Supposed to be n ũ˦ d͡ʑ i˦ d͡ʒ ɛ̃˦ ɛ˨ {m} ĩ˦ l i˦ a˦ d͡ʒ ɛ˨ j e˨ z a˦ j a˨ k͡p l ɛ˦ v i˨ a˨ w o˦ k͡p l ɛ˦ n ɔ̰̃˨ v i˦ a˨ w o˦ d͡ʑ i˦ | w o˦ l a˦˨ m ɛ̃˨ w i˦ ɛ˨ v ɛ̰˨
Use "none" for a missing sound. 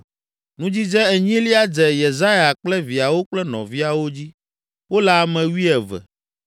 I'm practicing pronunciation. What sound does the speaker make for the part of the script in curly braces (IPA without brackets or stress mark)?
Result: ɲ